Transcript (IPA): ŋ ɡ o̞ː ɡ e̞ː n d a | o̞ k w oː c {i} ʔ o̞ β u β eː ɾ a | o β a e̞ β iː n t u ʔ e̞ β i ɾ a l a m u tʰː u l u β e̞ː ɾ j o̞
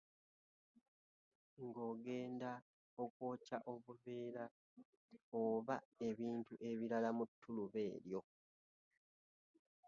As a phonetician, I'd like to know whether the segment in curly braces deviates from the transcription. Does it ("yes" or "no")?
yes